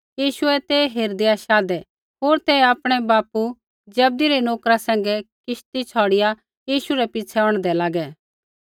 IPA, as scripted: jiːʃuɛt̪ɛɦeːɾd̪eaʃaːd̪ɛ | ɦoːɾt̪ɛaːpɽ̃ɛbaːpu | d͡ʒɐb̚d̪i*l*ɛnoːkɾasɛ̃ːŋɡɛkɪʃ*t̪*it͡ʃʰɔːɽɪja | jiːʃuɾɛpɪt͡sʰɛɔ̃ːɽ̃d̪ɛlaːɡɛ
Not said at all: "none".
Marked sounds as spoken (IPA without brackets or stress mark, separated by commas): ɾ, t̪